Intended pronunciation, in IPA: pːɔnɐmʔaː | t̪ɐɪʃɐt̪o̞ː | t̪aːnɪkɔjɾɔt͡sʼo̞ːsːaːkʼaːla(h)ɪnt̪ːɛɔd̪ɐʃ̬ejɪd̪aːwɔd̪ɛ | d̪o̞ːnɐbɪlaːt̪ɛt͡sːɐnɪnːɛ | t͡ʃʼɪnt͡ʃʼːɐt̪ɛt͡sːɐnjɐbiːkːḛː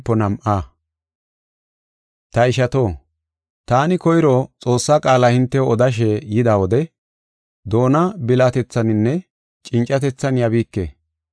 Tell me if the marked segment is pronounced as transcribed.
yes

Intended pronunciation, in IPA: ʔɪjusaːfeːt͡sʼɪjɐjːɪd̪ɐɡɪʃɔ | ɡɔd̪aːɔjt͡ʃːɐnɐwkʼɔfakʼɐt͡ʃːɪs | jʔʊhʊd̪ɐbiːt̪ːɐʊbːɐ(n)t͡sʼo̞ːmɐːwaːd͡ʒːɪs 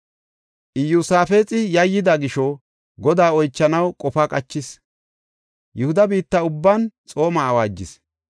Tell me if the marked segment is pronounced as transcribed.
yes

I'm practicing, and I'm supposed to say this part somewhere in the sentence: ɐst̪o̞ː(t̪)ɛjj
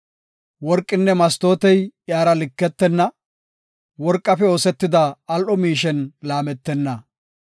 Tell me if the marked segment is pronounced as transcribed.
yes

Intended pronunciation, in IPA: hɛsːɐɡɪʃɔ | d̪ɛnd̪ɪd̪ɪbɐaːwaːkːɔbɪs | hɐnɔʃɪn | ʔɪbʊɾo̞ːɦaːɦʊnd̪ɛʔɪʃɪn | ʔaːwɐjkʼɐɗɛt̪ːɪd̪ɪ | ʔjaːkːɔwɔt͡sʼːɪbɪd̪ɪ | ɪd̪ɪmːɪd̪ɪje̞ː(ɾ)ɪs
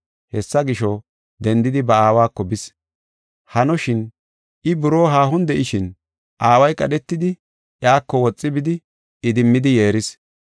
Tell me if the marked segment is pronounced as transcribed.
yes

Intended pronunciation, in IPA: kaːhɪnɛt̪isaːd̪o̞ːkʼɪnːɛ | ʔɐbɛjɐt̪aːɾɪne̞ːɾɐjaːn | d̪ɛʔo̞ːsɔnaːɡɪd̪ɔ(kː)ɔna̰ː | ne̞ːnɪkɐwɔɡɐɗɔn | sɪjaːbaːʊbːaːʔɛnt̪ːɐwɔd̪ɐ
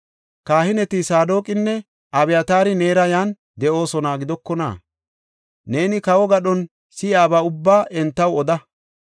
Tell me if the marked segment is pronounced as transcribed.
yes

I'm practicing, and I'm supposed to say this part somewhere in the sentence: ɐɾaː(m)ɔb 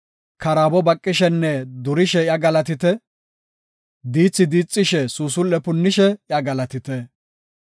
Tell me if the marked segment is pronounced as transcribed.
no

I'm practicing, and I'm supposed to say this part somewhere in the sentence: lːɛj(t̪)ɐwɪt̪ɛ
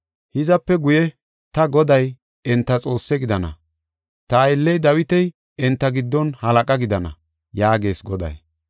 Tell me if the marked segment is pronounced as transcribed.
no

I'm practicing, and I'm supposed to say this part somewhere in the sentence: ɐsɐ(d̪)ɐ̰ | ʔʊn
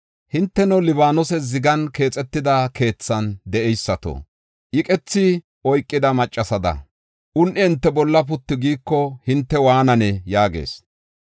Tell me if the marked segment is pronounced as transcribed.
yes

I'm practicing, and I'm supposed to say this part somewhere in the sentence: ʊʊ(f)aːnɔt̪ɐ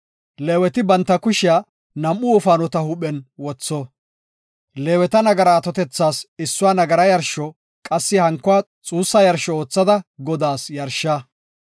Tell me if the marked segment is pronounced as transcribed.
yes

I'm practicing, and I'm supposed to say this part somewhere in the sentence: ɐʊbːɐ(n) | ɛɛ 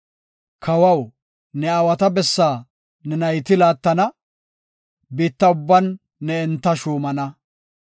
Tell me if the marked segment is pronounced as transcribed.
no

